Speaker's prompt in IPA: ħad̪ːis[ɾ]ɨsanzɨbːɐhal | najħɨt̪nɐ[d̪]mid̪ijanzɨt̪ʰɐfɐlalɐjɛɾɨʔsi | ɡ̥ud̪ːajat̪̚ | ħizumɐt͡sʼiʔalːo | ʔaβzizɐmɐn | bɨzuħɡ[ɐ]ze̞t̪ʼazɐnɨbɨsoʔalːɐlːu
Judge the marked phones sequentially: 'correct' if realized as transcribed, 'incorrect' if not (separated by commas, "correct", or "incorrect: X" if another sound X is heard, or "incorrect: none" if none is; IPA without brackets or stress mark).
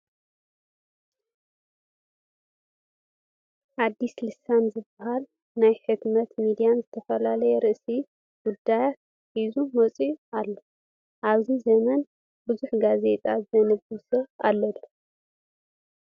incorrect: l, incorrect: t̪, incorrect: a